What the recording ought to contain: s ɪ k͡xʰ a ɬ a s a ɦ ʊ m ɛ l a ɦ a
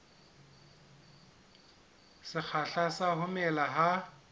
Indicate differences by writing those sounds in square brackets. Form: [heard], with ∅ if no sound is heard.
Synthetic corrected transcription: s ɪ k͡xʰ a ɬ a s a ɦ ʊ m ɛ l a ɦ a